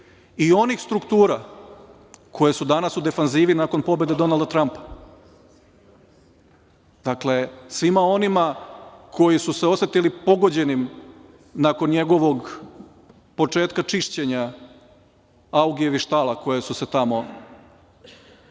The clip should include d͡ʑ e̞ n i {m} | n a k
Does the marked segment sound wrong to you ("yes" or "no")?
no